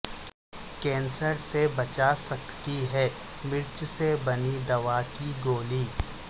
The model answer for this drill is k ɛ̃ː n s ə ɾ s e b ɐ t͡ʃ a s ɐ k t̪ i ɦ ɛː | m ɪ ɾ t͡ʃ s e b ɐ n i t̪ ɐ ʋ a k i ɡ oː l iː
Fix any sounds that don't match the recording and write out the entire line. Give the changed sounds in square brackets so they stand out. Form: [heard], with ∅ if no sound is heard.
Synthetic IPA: k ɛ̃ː n s ə ɾ s e b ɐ t͡ʃ a s ɐ k t̪ i ɦ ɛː | m ɪ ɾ t͡ʃ s e b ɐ n i [d̪] ɐ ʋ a k i ɡ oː l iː